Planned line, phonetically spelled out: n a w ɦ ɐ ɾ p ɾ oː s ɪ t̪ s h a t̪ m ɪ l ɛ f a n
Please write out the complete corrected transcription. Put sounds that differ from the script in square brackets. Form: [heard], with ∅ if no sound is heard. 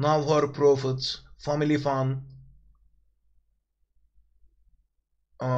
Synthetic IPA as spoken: n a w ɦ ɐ ɾ p ɾ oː [f] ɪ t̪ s [f] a [∅] m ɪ l [i] f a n